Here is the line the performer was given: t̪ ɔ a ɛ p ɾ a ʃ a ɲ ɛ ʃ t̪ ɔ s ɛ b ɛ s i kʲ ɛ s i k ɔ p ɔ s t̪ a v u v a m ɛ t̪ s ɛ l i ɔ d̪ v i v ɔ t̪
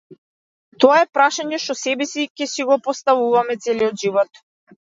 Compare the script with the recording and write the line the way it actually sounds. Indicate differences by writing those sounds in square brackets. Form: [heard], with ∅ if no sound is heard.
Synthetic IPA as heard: t̪ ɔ a ɛ p ɾ a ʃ a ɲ ɛ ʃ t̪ ɔ s ɛ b ɛ s i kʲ ɛ s i [ɡ] ɔ p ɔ s t̪ a v u v a m ɛ t̪ s ɛ l i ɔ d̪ [ʒ] i v ɔ t̪